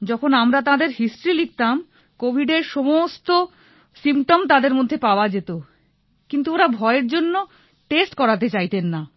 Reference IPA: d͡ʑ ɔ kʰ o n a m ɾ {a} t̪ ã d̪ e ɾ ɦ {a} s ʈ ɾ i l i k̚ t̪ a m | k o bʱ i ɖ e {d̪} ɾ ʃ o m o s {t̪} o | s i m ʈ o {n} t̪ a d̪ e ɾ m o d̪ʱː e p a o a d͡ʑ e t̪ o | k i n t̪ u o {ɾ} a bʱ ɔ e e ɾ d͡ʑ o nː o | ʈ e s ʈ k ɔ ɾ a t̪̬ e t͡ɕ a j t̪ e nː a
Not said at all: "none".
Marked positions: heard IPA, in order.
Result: a, i, none, t̪, m, ɾ

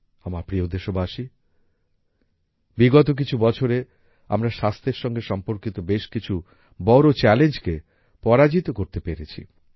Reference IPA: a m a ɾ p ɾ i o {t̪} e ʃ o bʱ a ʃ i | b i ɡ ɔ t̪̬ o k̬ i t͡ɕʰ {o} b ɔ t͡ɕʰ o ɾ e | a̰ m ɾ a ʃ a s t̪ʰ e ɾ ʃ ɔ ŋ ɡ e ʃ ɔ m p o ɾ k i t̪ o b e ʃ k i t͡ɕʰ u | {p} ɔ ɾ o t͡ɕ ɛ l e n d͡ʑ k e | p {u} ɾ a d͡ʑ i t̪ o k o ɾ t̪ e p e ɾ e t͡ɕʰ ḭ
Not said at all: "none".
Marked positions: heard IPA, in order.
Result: d̪, u, b, ɔ

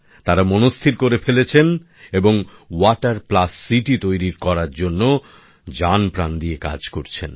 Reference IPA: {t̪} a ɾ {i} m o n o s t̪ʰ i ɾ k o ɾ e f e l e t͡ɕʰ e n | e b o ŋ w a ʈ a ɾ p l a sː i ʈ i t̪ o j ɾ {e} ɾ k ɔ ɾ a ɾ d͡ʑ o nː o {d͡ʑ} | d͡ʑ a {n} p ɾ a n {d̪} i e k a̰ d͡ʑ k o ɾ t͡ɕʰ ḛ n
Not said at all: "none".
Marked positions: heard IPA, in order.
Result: t̪, a, i, none, n, d̪

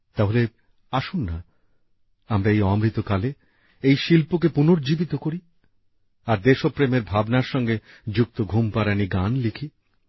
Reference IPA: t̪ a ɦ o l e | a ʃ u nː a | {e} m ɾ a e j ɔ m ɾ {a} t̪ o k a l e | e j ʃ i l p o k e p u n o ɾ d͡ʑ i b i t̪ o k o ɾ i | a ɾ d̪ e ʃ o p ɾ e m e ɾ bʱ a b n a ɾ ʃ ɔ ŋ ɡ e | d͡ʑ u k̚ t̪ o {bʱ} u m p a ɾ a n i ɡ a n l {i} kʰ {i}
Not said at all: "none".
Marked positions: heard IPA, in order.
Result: a, i, ɡʱ, i, i

